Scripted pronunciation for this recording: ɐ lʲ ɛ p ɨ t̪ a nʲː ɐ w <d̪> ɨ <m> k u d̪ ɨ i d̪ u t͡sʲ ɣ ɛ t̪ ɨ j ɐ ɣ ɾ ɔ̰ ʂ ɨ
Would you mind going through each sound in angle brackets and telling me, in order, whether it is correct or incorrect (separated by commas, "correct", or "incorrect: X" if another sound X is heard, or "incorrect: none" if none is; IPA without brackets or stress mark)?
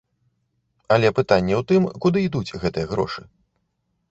incorrect: t̪, correct